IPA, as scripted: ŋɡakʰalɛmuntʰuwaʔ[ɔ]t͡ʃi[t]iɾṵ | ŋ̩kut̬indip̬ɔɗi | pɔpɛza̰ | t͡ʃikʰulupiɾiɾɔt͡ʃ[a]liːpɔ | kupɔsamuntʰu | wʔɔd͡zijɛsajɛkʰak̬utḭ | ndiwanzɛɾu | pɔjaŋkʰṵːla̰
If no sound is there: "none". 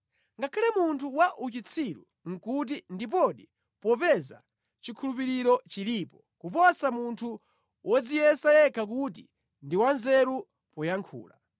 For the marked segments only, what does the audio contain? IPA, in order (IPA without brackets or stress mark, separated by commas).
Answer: u, t͡sʰ, i